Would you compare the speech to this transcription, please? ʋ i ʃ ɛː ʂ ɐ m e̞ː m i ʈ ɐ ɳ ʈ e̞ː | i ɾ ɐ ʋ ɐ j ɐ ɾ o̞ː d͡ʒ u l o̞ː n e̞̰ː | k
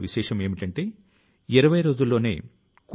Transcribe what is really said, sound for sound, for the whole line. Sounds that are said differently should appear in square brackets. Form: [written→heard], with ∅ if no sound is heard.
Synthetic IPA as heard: ʋ i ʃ ɛː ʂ ɐ m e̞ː m i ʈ ɐ ɳ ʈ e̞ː | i ɾ ɐ ʋ ɐ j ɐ ɾ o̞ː d͡ʒ u [l→lː] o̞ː n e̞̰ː | k